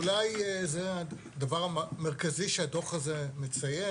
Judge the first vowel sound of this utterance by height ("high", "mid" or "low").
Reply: low